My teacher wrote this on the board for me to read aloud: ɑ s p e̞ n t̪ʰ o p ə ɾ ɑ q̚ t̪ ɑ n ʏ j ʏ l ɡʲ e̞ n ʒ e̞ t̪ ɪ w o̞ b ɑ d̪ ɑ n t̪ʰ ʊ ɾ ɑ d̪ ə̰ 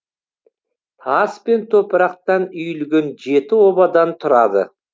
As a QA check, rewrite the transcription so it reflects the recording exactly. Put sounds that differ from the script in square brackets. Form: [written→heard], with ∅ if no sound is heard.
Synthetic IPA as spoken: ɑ s p e̞ n t̪ʰ o p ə ɾ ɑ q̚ t̪ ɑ n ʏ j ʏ l ɡʲ e̞ n ʒ e̞ t̪ ɪ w o̞ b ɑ d̪ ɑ n t̪ʰ ʊ ɾ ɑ d̪ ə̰

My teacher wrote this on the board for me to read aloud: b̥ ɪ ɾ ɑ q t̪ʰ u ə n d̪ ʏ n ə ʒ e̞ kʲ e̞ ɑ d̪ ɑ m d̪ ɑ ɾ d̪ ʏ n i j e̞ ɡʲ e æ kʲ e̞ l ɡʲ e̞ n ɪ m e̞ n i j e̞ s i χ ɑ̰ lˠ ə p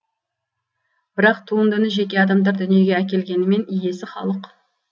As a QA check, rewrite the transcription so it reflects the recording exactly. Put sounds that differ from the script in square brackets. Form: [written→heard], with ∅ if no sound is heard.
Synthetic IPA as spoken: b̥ ɪ ɾ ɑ q t̪ʰ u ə n d̪ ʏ n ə ʒ e̞ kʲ e̞ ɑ d̪ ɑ m d̪ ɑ ɾ d̪ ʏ n i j e̞ ɡʲ e æ kʲ e̞ l ɡʲ e̞ n ɪ m e̞ n i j e̞ s [i→ɪ] χ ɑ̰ lˠ ə [p→q]

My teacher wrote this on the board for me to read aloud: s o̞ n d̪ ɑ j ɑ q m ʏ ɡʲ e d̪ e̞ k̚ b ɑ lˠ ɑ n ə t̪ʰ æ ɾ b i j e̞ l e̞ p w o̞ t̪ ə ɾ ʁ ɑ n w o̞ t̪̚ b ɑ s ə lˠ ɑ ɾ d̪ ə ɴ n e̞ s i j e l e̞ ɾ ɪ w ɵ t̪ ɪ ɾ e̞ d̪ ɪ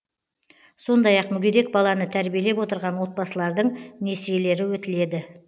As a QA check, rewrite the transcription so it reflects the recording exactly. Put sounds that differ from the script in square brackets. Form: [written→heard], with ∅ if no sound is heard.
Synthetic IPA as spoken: s o̞ n d̪ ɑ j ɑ q m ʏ ɡʲ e d̪ e̞ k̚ b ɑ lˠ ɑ n ə t̪ʰ æ ɾ b i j e̞ l e̞ p w o̞ t̪ ə ɾ ʁ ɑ n w o̞ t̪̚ b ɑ s ə lˠ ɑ ɾ d̪ ə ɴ n e̞ s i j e l e̞ ɾ ɪ w ɵ t̪ ɪ [ɾ→l] e̞ d̪ ɪ

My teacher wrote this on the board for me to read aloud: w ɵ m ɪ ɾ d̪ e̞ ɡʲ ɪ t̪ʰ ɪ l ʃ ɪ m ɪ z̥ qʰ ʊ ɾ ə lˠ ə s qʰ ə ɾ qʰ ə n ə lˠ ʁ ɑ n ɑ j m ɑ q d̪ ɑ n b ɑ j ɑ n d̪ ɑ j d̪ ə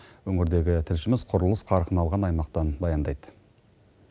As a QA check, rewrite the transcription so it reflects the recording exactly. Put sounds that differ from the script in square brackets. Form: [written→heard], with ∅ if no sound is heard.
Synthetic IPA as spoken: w ɵ [m→ŋ] ɪ ɾ d̪ e̞ ɡʲ ɪ t̪ʰ ɪ l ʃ ɪ m ɪ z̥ qʰ ʊ ɾ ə lˠ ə s qʰ [ə→ɑ] ɾ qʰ ə n [ə→ɑ] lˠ ʁ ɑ n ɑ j m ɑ q [d̪→t̪] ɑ n b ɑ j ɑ n d̪ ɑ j d̪ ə

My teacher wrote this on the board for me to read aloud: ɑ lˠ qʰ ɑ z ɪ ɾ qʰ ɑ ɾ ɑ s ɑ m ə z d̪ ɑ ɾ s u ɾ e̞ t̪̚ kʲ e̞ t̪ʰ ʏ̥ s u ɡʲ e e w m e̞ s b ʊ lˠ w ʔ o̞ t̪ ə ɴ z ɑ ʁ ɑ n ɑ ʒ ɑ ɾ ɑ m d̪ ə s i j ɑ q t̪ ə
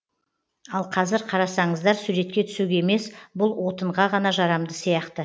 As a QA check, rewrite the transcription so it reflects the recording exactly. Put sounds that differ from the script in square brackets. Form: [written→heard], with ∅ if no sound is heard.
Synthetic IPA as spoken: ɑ lˠ qʰ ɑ z ɪ ɾ qʰ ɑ ɾ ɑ s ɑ [m→ɴ] ə z d̪ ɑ ɾ s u ɾ e̞ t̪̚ kʲ e̞ t̪ʰ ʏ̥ s u ɡʲ e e [w→∅] m e̞ s b ʊ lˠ w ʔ o̞ t̪ ə ɴ [z→ʁ] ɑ ʁ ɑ n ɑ ʒ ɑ ɾ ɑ m d̪ ə s i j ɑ q t̪ ə

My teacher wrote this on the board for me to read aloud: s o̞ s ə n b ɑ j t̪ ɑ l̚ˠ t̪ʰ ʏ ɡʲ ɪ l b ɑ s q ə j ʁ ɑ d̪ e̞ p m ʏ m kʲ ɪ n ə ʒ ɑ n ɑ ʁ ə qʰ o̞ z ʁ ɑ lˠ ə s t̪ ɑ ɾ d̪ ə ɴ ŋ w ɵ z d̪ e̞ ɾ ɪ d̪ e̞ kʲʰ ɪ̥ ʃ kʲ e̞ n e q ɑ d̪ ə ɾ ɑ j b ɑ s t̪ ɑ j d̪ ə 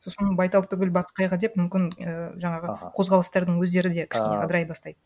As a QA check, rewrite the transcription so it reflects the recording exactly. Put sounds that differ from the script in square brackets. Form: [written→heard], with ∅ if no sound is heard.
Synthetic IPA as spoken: s o̞ s ə n b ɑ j t̪ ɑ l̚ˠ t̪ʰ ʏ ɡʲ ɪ l b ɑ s q [ə→ɑ] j ʁ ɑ d̪ e̞ p m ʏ m kʲ ɪ n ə ʒ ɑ [n→ɴ] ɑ ʁ ə qʰ o̞ z ʁ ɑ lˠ ə s t̪ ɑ ɾ d̪ ə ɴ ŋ w ɵ z d̪ e̞ ɾ ɪ d̪ e̞ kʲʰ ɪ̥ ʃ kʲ e̞ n e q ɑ d̪ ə ɾ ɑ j b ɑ s t̪ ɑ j d̪ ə

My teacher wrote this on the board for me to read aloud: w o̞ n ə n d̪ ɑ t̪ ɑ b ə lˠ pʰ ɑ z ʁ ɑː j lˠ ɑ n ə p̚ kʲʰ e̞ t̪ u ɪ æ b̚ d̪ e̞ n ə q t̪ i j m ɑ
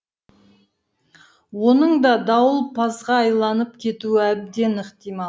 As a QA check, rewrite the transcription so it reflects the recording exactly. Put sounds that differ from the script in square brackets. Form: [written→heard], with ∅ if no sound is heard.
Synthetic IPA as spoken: w o̞ n ə [n→ɴ] d̪ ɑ [t̪→d̪] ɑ [b→w] ə lˠ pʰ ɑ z ʁ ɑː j lˠ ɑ n ə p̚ kʲʰ e̞ t̪ u ɪ æ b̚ d̪ e̞ n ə q t̪ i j m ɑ

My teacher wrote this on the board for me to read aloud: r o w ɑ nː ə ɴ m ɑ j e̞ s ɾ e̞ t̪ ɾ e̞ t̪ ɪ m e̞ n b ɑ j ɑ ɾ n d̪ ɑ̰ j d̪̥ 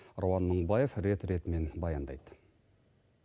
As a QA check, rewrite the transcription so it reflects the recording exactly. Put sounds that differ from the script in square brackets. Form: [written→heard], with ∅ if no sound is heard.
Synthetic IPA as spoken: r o w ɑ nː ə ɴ [m→b] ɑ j e̞ [s→f] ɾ e̞ t̪ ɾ e̞ t̪ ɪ m e̞ n b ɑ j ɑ [ɾ→∅] n d̪ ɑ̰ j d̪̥

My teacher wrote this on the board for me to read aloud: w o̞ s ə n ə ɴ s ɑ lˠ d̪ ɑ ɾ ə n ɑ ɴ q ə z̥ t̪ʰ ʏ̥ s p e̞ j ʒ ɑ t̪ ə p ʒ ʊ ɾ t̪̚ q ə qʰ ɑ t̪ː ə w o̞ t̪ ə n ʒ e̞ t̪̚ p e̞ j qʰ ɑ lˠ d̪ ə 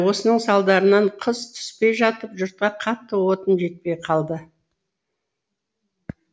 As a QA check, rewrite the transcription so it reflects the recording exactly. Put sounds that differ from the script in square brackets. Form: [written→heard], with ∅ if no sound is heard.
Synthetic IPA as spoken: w o̞ s ə n ə ɴ s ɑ lˠ d̪ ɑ ɾ ə n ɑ ɴ [q→qʰ] ə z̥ t̪ʰ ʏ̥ s p e̞ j ʒ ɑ t̪ ə p ʒ ʊ ɾ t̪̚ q [ə→ɑ] qʰ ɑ t̪ː ə w o̞ t̪ ə n ʒ e̞ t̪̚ p e̞ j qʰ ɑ lˠ d̪ ə

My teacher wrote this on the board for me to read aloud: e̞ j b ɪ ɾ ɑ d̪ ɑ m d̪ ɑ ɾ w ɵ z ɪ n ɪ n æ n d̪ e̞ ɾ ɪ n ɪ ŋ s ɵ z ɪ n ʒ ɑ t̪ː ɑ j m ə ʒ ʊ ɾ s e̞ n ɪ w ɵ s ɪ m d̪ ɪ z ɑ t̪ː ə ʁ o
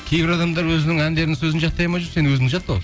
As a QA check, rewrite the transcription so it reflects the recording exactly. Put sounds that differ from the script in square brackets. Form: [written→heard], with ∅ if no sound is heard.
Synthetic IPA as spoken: e̞ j b ɪ ɾ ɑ d̪ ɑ m d̪ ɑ ɾ w ɵ z ɪ n ɪ [n→ŋ] æ n d̪ e̞ ɾ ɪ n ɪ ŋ s ɵ z ɪ n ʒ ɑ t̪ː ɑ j m [ə→ɑ] ʒ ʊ ɾ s e̞ n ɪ w ɵ [s→z] ɪ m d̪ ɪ [z→ʒ] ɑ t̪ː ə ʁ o

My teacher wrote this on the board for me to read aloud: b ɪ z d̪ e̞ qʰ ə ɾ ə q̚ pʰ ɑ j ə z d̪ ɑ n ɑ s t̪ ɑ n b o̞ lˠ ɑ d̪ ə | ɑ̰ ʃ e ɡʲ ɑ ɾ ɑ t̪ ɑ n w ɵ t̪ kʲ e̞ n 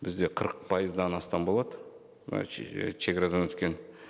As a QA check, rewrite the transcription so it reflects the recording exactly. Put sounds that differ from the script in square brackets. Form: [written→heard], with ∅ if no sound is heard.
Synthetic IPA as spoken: b ɪ z d̪ e̞ qʰ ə ɾ ə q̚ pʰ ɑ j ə z d̪ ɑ n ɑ s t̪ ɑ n b o̞ lˠ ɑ d̪ ə | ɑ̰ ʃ e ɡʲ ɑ ɾ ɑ [t̪→d̪] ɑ n w ɵ t̪ kʲ e̞ n

